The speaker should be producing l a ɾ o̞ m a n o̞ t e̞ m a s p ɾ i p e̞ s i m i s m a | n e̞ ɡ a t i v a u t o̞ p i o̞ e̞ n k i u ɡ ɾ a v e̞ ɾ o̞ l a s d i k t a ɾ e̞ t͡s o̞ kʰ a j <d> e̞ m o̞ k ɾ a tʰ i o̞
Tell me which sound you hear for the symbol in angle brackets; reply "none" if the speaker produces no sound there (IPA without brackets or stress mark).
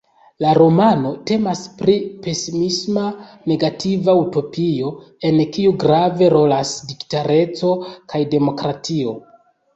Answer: d